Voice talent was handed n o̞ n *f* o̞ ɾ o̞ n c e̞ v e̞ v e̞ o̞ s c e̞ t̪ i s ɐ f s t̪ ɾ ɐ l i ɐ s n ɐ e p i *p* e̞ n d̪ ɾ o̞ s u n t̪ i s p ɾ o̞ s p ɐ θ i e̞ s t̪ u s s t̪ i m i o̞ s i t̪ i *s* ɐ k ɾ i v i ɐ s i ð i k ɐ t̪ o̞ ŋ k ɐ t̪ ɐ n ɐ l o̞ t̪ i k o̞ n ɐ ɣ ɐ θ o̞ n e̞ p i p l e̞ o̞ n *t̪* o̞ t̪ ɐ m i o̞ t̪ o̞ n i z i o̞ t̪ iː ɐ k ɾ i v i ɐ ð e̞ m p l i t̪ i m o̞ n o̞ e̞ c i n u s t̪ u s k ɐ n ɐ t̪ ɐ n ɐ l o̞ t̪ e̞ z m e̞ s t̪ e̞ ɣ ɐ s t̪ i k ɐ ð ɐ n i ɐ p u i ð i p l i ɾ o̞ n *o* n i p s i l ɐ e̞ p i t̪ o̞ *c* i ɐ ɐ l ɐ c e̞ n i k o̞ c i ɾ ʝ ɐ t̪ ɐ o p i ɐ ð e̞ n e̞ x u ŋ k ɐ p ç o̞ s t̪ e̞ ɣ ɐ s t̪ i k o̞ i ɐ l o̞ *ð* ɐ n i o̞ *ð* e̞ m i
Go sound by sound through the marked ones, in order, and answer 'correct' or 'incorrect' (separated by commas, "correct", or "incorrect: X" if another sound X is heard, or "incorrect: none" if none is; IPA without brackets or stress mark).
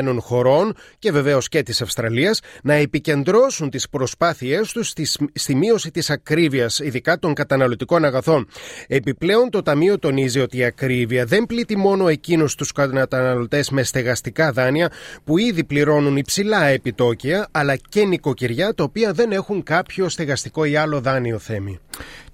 incorrect: x, incorrect: c, correct, correct, incorrect: u, correct, correct, incorrect: θ